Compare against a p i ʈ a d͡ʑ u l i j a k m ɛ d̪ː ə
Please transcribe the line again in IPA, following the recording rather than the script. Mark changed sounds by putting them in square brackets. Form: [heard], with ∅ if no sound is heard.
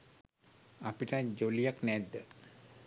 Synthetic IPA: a p i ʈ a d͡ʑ [o] l i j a k [n] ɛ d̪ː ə